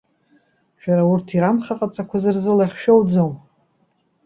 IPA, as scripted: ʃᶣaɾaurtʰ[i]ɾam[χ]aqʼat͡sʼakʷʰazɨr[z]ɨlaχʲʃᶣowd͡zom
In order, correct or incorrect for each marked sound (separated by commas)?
correct, correct, correct